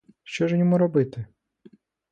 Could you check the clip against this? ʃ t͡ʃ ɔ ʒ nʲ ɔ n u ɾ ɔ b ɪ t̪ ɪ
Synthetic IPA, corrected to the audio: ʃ t͡ʃ ɔ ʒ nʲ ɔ m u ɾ ɔ b ɪ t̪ ɪ

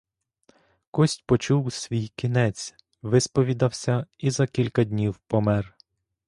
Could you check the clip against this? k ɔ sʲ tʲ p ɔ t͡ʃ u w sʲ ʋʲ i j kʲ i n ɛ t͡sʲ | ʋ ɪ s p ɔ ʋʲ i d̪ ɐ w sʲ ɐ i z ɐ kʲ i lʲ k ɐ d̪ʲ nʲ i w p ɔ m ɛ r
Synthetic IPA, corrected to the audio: k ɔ sʲ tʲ p ɔ t͡ʃ u w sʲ ʋʲ i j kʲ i n ɛ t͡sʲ | ʋ ɪ s p ɔ ʋʲ i d̪ ɐ w sʲ ɐ i z ɐ kʲ i lʲ k ɐ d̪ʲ nʲ i w p ɔ m ɛ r

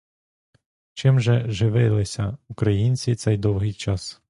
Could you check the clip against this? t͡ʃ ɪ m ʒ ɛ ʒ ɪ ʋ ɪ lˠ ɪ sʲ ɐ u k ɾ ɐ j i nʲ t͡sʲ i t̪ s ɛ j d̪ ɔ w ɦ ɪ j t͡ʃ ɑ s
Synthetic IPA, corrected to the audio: t͡ʃ ɪ m ʒ ɛ ʒ ɪ ʋ ɪ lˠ ɪ sʲ ɐ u k ɾ ɐ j i nʲ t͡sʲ i t̪ s ɛ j d̪ ɔ w ɦ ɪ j t͡ʃ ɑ s

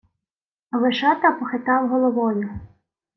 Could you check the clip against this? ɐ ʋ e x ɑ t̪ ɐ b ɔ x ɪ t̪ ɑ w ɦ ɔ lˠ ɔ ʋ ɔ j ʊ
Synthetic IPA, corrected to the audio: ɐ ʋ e ʃ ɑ t̪ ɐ p ɔ x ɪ t̪ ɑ w ɦ ɔ lˠ ɔ ʋ ɔ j ʊ

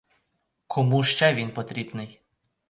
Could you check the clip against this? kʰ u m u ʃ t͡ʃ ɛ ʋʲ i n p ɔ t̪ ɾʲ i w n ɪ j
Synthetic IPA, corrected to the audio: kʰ ɔ m u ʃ t͡ʃ ɛ ʋʲ i n p ɔ t̪ ɾʲ i b n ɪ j

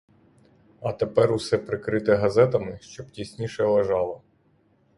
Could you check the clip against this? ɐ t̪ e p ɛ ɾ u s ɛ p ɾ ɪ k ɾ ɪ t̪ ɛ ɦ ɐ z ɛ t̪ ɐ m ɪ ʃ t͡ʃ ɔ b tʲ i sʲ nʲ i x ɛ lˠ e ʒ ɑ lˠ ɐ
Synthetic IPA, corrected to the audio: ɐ t̪ e p ɛ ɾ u s ɛ p ɾ ɪ k ɾ ɪ t̪ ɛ ɦ ɐ z ɛ t̪ ɐ m ɪ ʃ t͡ʃ ɔ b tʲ i sʲ nʲ i ʃ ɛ lˠ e ʒ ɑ lˠ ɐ

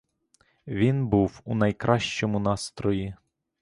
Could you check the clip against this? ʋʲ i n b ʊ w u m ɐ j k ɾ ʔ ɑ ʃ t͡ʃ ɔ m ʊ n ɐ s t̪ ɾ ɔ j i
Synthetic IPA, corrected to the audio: ʋʲ i n b u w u n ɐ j k ɾ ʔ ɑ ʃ t͡ʃ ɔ m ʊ n ɑ s t̪ ɾ ɔ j i

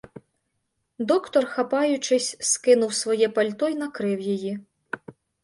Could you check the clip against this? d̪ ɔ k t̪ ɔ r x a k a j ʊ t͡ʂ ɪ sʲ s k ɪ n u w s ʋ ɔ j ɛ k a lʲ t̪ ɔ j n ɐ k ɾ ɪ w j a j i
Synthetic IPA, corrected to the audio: d̪ ɔ k t̪ ɔ r x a p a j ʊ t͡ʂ ɪ sʲ s k ɪ n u w s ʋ ɔ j ɛ p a lʲ t̪ ɔ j n ɐ k ɾ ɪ w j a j i

